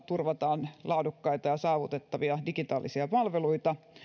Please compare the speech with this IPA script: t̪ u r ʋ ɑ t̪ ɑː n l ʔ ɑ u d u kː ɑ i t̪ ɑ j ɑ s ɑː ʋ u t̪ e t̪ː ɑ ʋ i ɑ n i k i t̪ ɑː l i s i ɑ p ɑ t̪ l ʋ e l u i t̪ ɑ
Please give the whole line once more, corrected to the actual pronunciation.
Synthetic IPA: t̪ u r ʋ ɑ t̪ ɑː n l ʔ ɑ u d u kː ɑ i t̪ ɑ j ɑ s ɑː ʋ u t̪ e t̪ː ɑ ʋ i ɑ d i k i t̪ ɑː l i s i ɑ p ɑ l ʋ e l u i t̪ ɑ

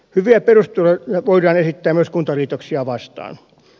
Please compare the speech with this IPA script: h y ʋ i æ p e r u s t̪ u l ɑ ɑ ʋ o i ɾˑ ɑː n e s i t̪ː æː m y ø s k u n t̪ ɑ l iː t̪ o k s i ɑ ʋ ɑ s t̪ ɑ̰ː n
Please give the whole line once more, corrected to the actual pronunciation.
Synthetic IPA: h y ʋ i æ p e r u s t̪ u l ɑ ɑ ʋ o i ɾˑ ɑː n e s i t̪ː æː m y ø s k u n t̪ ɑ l iː t̪ o k s i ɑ ʋ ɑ s t̪ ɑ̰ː n

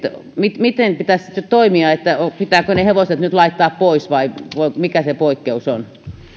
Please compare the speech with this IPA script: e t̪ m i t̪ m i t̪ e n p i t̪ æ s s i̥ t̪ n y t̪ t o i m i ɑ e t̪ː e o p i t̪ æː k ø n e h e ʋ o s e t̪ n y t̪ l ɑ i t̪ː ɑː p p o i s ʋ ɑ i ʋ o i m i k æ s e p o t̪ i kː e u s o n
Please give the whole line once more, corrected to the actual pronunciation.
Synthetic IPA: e t̪ m i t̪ m i t̪ e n p i t̪ æ s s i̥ t̪ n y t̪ t o i m i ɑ e t̪ː æ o p i t̪ æː k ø n e h e ʋ o s e t̪ n y t̪ l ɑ i t̪ː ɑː p p o i s ʋ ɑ i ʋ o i m i k æ s e p o i kː e u s o n

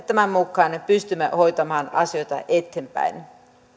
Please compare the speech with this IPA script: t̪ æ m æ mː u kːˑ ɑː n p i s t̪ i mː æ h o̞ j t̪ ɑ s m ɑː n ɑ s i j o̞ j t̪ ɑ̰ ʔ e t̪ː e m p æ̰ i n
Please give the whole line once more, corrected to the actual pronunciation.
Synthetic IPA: t̪ æ m æ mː u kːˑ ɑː n p y s t̪ y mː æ h o̞ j t̪ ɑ m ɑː n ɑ s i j o̞ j t̪ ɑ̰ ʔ e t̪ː e m p æ̰ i n

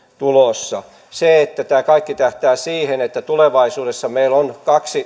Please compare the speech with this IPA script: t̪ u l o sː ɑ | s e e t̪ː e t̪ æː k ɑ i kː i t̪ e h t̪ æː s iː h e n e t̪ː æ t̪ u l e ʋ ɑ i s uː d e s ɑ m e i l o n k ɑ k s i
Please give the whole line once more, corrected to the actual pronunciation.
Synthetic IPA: t̪ u l o sː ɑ | s e e t̪ː æ t̪ æː k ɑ i kː i t̪ æ h t̪ æː s iː h e n e t̪ː æ t̪ u l e ʋ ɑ i s uː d e sː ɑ m e i l o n k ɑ k s i

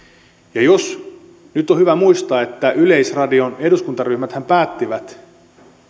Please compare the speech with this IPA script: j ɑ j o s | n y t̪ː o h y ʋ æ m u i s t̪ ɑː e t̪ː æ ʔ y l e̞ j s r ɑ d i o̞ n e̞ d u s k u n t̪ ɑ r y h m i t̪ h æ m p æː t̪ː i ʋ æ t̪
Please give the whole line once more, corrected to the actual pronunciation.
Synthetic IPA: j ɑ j o s | n y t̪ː o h y ʋ æ m u i s t̪ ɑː e t̪ː æ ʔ y l e̞ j s r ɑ d i o̞ n e̞ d u s k u n t̪ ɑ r y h m æ t̪ h æ m p æː t̪ː i ʋ æ t̪

